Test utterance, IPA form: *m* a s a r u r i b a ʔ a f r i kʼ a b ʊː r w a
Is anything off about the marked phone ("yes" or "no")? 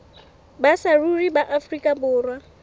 yes